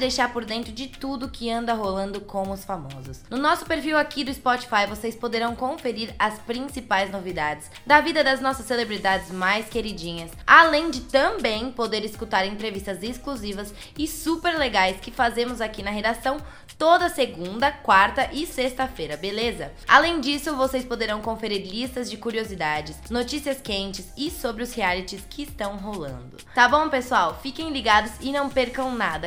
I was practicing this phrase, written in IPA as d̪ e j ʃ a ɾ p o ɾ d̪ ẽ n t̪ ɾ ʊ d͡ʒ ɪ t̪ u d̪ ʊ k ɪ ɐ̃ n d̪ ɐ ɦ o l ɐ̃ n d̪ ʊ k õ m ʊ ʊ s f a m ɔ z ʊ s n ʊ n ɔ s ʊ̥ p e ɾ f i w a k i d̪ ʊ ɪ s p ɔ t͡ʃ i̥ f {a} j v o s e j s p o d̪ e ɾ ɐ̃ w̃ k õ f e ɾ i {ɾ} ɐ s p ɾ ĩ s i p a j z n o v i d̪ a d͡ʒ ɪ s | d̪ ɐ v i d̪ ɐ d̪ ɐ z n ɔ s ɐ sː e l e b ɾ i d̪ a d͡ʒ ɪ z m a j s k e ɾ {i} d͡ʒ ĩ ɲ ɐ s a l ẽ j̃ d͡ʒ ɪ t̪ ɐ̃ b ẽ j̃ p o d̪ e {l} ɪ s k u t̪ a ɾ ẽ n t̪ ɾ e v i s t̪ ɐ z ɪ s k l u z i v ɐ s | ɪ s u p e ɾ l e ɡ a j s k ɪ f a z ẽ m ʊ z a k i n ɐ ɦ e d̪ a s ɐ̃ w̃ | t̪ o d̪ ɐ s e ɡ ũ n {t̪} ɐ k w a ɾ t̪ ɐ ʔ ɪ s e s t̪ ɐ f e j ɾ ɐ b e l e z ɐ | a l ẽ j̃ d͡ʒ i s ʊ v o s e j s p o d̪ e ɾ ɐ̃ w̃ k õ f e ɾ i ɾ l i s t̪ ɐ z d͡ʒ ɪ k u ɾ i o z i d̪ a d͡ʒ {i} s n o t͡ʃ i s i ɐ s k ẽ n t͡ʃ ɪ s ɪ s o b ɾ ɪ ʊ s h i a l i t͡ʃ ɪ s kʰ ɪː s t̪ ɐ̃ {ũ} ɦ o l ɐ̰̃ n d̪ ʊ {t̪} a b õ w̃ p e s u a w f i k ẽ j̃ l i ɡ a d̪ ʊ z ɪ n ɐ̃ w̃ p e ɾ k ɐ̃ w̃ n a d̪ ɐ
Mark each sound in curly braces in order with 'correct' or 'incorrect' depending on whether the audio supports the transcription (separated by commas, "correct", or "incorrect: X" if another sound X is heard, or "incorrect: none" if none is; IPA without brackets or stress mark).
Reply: correct, correct, correct, incorrect: ɾ, incorrect: d̪, incorrect: ɪ, incorrect: w̃, correct